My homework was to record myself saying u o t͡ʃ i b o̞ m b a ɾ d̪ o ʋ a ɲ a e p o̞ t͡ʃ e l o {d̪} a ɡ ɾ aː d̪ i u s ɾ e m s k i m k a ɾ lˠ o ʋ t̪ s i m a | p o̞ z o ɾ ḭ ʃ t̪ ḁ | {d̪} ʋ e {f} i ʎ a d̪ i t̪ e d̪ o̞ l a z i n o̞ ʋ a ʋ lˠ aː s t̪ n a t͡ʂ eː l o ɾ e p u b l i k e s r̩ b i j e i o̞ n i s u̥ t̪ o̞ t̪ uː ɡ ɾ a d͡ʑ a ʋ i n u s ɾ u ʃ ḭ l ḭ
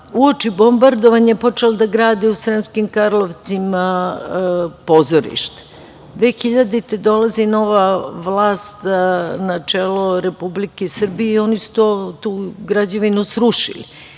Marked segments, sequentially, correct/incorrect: correct, correct, incorrect

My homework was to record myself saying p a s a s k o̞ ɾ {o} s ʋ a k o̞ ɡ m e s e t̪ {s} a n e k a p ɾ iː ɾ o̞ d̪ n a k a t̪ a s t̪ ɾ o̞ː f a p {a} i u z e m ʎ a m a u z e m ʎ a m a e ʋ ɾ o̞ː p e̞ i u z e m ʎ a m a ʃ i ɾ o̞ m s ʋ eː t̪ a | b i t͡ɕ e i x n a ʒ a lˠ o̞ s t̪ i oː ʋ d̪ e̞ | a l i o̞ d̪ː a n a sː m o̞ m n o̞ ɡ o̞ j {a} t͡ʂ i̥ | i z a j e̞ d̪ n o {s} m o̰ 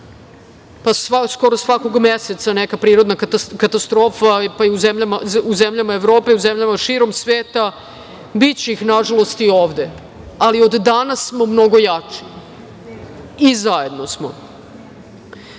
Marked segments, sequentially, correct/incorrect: correct, correct, correct, correct, correct

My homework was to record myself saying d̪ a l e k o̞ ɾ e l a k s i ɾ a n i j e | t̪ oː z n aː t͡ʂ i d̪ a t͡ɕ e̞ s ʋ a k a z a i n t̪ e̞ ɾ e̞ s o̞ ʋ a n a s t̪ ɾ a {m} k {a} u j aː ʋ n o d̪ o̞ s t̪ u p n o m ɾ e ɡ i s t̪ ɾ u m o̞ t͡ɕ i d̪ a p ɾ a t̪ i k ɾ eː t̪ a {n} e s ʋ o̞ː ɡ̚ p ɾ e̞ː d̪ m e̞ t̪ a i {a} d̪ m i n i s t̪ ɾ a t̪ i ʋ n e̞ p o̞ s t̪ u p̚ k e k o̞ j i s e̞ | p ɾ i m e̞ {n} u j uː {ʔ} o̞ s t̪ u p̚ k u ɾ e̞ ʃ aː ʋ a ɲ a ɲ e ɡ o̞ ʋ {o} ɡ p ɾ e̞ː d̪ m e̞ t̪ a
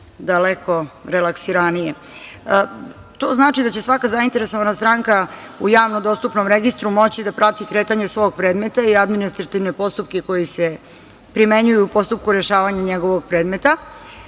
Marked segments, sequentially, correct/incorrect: incorrect, correct, incorrect, correct, incorrect, incorrect, correct

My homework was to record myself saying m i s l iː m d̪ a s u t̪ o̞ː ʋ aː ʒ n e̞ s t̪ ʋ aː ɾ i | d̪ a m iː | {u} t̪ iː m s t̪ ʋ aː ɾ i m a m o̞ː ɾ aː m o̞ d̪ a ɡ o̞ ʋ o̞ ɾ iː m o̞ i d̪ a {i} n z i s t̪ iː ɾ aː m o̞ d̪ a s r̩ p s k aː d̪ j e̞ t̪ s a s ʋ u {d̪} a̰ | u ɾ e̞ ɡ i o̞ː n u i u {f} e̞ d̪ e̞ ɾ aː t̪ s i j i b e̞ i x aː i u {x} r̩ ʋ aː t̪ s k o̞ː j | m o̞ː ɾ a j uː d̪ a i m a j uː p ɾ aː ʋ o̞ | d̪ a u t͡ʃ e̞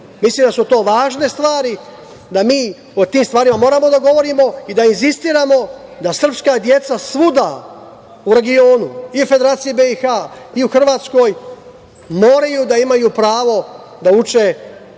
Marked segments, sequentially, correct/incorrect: incorrect, correct, correct, correct, correct

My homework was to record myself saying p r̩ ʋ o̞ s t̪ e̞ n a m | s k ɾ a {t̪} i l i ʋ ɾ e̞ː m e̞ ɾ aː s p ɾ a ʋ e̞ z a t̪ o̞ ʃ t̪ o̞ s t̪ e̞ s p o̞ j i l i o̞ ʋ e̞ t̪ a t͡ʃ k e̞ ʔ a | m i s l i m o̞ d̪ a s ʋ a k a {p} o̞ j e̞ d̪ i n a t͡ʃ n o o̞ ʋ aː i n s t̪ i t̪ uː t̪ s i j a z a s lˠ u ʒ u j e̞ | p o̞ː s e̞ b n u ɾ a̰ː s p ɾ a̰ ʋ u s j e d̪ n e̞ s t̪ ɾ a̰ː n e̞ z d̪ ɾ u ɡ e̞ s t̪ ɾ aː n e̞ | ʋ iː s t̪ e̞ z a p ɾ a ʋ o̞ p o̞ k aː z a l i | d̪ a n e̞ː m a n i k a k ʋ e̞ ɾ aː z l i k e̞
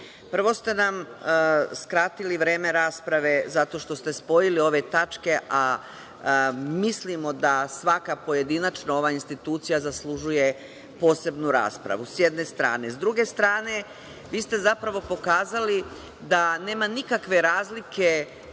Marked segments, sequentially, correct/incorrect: correct, correct

